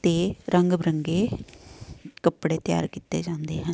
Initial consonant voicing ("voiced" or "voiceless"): voiceless